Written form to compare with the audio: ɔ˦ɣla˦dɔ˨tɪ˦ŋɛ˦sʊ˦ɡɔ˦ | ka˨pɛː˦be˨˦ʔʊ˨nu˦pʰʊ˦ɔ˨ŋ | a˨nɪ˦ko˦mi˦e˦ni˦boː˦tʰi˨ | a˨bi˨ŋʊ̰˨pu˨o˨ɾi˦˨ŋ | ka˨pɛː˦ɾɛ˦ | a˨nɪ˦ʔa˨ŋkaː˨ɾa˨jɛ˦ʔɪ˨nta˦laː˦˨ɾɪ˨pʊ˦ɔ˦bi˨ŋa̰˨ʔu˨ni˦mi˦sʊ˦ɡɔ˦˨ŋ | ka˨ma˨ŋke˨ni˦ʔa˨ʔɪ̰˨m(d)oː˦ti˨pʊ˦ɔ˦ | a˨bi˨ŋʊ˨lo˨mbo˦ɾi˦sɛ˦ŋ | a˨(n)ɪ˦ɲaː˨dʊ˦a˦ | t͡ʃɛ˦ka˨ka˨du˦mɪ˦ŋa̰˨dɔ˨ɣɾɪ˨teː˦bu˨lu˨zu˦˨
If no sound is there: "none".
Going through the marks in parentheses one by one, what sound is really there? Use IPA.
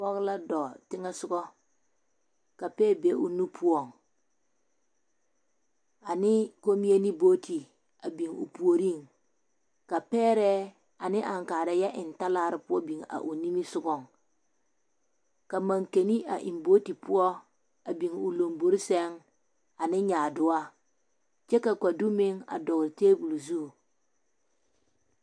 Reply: b, n

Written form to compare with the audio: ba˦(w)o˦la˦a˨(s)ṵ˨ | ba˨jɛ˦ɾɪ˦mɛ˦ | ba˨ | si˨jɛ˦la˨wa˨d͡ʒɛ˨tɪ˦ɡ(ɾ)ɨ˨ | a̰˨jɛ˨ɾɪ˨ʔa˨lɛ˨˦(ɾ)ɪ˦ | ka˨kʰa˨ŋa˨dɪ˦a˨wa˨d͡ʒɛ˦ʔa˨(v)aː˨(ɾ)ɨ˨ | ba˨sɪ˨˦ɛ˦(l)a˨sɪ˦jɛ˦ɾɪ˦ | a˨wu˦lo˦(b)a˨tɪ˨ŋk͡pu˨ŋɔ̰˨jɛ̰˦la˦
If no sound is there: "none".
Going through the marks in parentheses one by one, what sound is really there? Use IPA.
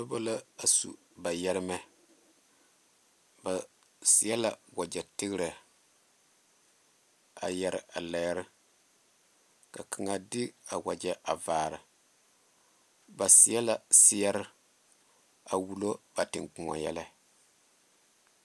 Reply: b, s, ɾ, ɾ, v, ɾ, l, b

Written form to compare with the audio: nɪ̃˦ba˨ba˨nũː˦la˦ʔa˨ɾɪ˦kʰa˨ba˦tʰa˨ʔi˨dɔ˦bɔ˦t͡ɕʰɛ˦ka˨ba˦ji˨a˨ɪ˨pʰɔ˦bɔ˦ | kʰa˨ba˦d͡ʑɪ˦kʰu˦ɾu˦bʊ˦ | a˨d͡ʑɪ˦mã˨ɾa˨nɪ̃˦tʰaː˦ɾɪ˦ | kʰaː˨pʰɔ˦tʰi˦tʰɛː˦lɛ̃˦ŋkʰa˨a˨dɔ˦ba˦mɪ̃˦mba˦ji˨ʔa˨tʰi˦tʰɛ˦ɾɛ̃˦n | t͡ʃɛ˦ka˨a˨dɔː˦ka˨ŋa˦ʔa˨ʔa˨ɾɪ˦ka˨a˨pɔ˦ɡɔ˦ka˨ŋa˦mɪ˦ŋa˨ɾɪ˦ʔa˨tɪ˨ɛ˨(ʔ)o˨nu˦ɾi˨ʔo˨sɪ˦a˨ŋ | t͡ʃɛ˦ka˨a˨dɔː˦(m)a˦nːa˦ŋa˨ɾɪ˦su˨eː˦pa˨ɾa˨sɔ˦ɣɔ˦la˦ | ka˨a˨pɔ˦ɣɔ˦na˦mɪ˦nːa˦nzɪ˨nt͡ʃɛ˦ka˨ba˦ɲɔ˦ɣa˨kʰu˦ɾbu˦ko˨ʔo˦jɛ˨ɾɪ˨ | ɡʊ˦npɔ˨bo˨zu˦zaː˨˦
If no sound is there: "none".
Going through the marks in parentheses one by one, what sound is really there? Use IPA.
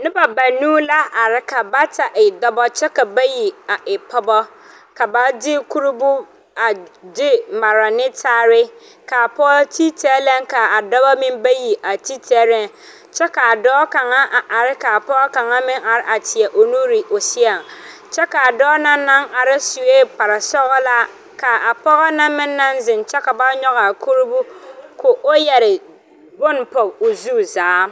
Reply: ʔ, n

